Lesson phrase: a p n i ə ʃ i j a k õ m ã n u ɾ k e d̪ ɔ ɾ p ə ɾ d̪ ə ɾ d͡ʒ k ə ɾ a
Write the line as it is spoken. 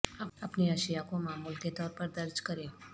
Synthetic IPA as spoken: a p n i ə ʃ i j a k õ m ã m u l k e t̪ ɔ ɾ p ə ɾ d̪ ə ɾ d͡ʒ k ə ɾ e